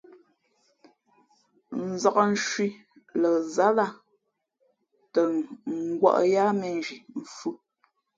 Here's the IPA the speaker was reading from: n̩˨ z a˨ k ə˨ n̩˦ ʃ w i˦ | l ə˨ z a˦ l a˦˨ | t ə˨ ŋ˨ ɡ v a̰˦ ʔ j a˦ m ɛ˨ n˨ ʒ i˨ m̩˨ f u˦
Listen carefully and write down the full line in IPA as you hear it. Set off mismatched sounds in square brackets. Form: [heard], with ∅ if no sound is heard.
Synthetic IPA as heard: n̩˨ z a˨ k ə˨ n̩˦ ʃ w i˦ | l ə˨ z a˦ l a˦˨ | t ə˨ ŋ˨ ɡ [w] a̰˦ ʔ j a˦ m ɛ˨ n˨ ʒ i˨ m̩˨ f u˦